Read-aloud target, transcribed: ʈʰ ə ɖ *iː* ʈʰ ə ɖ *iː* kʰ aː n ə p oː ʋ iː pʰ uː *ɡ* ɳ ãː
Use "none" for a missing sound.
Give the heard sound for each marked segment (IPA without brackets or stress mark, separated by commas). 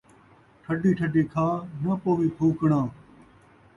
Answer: iː, iː, k